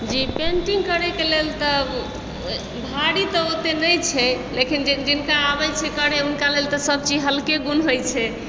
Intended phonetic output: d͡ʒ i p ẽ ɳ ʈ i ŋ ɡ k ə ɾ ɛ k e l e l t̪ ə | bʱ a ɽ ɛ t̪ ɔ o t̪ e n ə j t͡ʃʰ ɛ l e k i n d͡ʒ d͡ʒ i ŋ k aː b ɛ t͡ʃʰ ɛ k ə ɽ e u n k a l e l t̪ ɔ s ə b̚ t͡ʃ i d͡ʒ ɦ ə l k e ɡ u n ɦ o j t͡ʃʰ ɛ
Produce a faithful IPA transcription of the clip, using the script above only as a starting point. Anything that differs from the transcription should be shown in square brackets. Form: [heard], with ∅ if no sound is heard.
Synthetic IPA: d͡ʒ i p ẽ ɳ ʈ i ŋ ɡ k ə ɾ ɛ k e l e l t̪ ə | bʱ a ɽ [i] t̪ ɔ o t̪ e n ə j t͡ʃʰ ɛ l e k i n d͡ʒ d͡ʒ i [n] k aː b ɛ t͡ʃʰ ɛ k ə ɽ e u n k a l e l t̪ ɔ s ə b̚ t͡ʃ i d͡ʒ ɦ ə l k e ɡ u n ɦ o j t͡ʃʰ ɛ